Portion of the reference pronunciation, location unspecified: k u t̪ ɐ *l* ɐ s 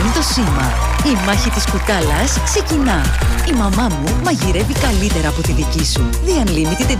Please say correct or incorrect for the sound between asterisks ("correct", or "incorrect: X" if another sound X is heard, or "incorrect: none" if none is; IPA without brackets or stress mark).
correct